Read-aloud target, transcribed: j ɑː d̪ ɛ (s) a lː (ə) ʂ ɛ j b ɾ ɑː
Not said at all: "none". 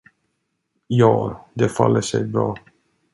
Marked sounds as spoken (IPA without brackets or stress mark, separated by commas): f, ə